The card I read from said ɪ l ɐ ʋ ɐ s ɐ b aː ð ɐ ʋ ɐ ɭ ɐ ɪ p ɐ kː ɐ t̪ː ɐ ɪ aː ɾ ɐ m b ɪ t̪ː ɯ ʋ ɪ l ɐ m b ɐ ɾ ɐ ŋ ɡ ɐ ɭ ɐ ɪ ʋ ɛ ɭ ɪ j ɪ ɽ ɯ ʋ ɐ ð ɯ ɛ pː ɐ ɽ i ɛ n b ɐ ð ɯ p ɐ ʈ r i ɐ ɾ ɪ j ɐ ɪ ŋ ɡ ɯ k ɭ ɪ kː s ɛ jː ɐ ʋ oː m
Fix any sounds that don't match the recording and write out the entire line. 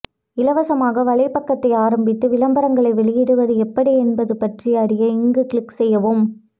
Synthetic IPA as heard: ɪ l ɐ ʋ ɐ s ɐ m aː ɣ ɐ ʋ ɐ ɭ ɐ ɪ p ɐ kː ɐ t̪ː ɐ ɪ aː ɾ ɐ m b ɪ t̪ː ɯ ʋ ɪ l ɐ m b ɐ ɾ ɐ ŋ ɡ ɐ ɭ ɐ ɪ ʋ ɛ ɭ ɪ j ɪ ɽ ɯ ʋ ɐ ð ɯ ɛ pː ɐ ɽ i ɛ n b ɐ ð ɯ p ɐ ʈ r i ɐ ɾ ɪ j ɐ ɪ ŋ ɡ ɯ k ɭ ɪ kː s ɛ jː ɐ ʋ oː m